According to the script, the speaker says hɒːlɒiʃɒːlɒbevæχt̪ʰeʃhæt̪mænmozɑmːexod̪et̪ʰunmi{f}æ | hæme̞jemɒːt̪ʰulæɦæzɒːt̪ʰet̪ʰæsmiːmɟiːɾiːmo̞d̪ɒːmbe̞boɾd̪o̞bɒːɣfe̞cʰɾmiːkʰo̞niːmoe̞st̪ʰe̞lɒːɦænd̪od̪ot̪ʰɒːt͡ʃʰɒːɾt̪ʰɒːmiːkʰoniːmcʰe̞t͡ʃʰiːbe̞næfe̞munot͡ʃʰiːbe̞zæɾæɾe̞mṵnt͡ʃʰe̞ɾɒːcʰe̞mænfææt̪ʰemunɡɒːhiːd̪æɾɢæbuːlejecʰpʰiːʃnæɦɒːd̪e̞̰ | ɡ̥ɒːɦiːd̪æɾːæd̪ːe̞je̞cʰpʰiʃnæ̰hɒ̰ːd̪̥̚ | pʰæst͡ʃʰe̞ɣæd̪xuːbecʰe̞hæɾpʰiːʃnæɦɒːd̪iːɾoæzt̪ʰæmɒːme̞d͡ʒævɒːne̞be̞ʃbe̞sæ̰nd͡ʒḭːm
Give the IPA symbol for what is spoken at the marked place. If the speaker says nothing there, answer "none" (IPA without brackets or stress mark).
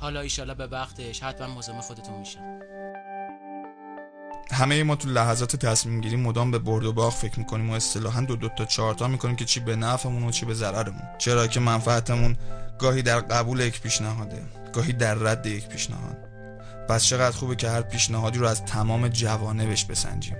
ʃ